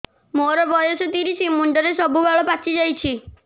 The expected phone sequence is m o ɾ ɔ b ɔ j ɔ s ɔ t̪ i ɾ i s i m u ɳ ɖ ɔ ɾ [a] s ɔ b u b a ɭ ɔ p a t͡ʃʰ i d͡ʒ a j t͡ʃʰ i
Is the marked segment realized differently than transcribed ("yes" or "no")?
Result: yes